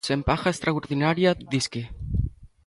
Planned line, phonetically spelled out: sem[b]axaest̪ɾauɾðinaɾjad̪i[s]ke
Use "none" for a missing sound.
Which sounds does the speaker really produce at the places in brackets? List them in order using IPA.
p, s

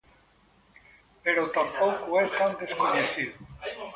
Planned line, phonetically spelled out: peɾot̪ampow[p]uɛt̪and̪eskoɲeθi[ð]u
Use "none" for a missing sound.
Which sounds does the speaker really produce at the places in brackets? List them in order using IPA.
k, ð

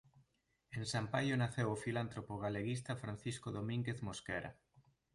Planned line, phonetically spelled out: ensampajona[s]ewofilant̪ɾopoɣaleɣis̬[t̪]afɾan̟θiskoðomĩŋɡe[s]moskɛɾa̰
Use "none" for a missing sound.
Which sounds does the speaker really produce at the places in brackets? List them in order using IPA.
θ, t̪, θ

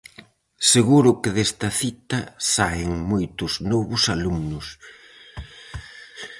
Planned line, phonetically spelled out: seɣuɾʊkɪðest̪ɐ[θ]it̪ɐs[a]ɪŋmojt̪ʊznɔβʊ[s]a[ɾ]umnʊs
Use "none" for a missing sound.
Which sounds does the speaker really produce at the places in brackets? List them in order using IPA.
θ, a, s, l

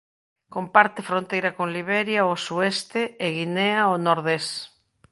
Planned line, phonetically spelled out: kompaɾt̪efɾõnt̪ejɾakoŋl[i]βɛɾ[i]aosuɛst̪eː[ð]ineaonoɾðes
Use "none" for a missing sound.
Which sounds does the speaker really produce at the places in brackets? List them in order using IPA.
i, j, ɣ

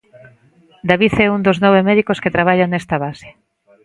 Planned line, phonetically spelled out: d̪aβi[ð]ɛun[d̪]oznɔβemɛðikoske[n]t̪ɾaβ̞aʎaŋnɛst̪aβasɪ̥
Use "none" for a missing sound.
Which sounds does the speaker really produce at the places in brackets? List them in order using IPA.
θ, d̪, none

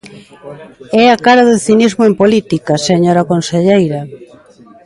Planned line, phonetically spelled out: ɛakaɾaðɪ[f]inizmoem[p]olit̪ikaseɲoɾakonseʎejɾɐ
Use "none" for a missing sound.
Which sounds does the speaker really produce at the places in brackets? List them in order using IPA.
θ, p

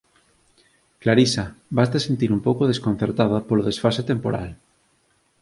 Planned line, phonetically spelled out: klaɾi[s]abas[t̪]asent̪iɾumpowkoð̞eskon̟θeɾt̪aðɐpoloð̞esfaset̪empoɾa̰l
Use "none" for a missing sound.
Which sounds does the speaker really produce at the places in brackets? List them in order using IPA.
s, t̪

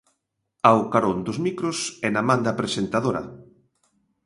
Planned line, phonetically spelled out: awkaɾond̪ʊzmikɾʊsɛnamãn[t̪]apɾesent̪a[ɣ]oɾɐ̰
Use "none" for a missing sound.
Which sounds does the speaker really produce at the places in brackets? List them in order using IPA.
d̪, ð

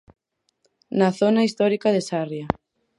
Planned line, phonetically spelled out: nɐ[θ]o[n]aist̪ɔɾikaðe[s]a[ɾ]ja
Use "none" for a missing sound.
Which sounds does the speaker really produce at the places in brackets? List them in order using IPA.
θ, n, s, r

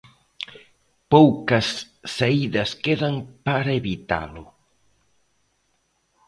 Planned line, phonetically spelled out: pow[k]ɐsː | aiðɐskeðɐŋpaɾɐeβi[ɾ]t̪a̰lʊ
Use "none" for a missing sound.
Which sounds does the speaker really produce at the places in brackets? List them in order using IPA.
k, none

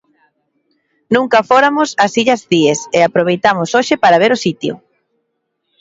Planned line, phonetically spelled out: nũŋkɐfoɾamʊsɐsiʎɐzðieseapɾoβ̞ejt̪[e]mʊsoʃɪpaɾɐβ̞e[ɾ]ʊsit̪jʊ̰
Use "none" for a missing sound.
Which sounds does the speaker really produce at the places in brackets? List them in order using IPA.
a, ɾ

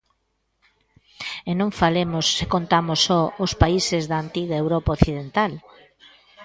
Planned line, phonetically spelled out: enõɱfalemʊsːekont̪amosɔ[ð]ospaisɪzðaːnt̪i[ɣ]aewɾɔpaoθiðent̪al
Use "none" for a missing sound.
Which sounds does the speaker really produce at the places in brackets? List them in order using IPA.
none, ɣ

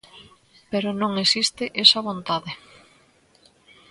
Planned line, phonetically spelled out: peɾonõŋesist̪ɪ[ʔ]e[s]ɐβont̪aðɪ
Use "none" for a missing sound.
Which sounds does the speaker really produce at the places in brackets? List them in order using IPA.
ʔ, s

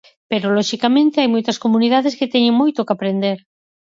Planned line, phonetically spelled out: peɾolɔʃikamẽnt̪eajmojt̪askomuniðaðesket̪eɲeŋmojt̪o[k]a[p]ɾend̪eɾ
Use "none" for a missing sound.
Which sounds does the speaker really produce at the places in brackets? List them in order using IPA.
k, p

